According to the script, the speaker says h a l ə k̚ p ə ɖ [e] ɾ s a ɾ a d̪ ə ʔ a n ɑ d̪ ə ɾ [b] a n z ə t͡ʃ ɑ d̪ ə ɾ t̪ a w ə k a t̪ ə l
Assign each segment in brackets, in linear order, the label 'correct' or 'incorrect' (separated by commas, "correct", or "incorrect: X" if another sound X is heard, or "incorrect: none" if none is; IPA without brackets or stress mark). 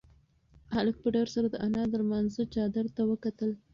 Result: incorrect: a, incorrect: m